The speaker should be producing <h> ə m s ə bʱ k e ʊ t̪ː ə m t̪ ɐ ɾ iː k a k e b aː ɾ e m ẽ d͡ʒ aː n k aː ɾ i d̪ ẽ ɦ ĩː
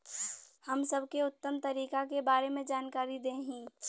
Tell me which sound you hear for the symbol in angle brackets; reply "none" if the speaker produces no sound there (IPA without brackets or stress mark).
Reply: h